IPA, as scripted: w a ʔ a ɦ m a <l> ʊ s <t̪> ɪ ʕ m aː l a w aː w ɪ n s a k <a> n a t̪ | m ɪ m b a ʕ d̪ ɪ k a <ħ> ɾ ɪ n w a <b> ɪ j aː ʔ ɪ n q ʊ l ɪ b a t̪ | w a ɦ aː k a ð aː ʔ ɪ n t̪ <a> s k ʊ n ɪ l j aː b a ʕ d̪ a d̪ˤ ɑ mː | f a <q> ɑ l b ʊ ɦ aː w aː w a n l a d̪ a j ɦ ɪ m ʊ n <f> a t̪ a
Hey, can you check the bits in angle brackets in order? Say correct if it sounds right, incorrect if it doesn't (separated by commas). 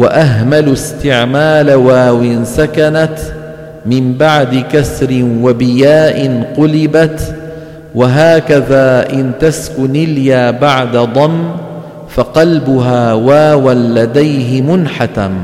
correct, correct, correct, incorrect, correct, correct, correct, incorrect